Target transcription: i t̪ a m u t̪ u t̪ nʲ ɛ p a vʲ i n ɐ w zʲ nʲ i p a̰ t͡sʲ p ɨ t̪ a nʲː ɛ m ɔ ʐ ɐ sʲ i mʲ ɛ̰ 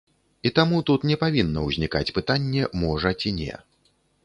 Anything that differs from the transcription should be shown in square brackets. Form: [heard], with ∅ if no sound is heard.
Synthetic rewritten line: i t̪ a m u t̪ u t̪ nʲ ɛ p a vʲ i [nː] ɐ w zʲ nʲ i [k] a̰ t͡sʲ p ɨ t̪ a nʲː ɛ m ɔ ʐ ɐ [t͡sʲ] i [nʲ] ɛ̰